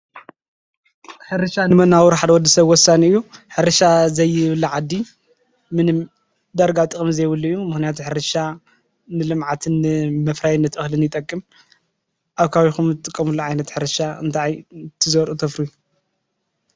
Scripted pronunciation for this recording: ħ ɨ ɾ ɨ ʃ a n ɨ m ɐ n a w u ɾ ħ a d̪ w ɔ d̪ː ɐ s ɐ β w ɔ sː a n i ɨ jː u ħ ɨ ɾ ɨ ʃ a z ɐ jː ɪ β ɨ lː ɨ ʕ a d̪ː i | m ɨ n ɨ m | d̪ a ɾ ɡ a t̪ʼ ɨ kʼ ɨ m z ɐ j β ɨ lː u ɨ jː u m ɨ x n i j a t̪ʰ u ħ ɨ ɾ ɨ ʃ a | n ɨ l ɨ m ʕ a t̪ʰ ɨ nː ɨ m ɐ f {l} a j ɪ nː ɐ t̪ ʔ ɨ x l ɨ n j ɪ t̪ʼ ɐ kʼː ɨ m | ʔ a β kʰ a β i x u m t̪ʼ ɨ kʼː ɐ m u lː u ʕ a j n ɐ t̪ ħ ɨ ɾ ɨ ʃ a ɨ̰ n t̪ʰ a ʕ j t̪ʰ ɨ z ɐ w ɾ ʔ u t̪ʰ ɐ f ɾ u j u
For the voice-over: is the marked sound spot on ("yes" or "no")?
no